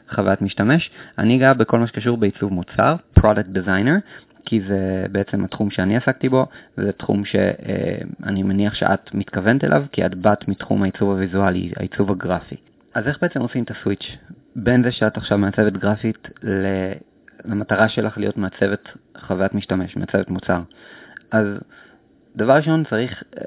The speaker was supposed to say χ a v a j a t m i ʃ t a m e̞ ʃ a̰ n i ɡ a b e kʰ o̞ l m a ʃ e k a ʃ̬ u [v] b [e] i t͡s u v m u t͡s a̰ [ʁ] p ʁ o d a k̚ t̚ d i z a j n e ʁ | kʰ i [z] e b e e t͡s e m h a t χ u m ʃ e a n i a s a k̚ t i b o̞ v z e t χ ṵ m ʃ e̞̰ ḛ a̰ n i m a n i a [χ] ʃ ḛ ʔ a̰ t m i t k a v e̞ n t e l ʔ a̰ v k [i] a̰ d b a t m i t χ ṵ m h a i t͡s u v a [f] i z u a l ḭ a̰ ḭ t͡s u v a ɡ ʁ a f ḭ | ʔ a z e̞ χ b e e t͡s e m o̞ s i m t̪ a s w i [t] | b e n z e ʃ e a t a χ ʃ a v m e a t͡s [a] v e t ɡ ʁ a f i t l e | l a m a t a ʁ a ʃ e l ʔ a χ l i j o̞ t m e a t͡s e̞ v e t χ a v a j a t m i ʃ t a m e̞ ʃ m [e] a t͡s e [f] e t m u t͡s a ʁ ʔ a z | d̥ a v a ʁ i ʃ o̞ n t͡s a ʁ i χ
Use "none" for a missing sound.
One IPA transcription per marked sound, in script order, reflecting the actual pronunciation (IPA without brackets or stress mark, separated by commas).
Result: ʁ, e, ʁ, z, χ, i, v, t͡ʃ, e, e, v